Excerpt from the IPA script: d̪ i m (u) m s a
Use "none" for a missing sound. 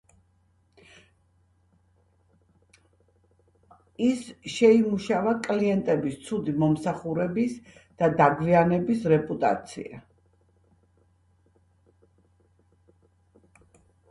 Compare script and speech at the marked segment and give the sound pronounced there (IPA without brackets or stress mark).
ɔ